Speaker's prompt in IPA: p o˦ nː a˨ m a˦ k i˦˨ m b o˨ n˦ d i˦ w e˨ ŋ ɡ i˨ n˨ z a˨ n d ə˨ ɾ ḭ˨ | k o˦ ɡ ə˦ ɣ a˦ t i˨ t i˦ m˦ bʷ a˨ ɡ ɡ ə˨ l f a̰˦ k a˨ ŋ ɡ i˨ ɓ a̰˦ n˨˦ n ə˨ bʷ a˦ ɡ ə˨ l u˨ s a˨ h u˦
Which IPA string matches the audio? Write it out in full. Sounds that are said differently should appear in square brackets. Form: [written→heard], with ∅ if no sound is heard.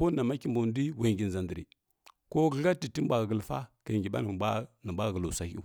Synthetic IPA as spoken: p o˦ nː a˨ m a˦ k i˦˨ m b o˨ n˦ d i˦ w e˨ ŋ ɡ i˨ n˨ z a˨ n d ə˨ ɾ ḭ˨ | k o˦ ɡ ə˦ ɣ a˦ t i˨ t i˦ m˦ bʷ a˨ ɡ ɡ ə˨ l f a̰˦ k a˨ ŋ ɡ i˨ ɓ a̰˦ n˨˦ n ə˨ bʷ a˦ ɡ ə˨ l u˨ s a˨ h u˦